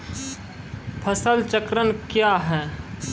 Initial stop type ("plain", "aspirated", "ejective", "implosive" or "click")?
aspirated